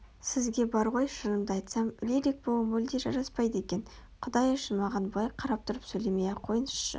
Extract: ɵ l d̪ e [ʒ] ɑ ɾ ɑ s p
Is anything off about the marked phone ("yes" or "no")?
no